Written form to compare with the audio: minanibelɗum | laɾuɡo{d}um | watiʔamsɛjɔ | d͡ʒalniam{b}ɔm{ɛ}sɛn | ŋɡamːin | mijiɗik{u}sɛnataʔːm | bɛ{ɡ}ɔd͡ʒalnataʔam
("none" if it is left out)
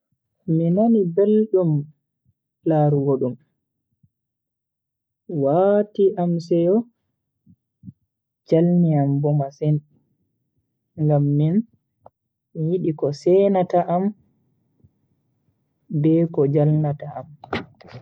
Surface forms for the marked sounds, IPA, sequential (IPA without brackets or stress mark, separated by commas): ɗ, b, a, ɔ, k